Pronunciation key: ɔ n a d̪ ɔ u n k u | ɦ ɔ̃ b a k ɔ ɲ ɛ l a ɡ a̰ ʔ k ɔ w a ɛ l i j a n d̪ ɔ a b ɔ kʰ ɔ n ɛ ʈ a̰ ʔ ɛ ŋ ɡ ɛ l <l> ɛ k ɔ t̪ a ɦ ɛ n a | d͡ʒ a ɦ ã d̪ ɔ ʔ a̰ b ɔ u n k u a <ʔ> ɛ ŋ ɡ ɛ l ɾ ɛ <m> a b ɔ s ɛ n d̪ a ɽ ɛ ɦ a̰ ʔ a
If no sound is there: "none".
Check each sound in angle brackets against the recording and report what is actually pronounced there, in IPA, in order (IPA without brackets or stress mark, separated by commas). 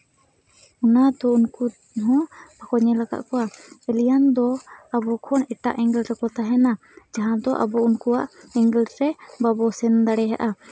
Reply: ɾ, ʔ, b